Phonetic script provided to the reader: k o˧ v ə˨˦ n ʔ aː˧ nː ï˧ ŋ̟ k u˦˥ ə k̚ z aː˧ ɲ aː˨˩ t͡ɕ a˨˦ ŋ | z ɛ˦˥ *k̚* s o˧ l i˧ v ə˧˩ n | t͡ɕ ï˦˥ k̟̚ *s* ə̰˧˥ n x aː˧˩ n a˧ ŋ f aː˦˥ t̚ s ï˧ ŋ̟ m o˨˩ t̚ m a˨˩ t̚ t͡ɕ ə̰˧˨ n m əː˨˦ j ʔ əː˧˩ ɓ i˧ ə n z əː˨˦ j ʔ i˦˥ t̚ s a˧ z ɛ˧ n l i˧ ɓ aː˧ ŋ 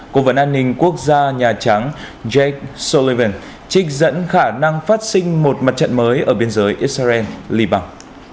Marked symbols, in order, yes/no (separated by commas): yes, no